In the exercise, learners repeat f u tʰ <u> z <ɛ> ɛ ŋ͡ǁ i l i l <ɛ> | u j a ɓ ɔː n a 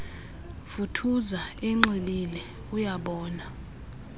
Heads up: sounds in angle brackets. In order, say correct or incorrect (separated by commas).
correct, incorrect, correct